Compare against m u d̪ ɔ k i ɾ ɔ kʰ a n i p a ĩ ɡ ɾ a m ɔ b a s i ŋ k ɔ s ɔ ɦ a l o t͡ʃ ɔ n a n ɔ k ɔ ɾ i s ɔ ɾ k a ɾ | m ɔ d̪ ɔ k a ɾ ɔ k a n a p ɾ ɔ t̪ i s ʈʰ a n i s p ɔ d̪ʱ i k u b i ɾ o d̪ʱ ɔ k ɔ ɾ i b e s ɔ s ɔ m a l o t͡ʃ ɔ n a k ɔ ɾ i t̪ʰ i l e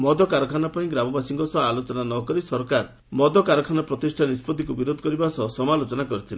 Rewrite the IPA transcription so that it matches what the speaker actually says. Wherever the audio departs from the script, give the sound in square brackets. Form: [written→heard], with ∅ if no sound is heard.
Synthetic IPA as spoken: m [u→ɔ] d̪ ɔ k [i→a] ɾ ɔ kʰ a n [i→a] p a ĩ ɡ ɾ a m ɔ b a s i ŋ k ɔ s ɔ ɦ a l o t͡ʃ ɔ n a n ɔ k ɔ ɾ i s ɔ ɾ k a ɾ | m ɔ d̪ ɔ k a ɾ ɔ [k→kʰ] a n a p ɾ ɔ t̪ i s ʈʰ a n i s p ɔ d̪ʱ i k u b i ɾ o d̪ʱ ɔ k ɔ ɾ i b [e→a] s ɔ s ɔ m a l o t͡ʃ ɔ n a k ɔ ɾ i t̪ʰ i l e